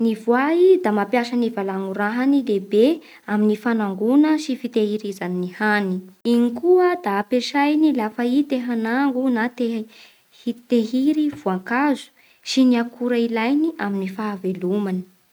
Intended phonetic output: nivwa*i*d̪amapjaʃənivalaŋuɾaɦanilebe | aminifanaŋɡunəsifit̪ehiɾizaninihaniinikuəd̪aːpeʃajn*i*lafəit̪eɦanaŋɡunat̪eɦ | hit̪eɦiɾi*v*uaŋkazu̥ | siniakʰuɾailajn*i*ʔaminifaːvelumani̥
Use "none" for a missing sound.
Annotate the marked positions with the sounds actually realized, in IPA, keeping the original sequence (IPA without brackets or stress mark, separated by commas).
i, i, v, i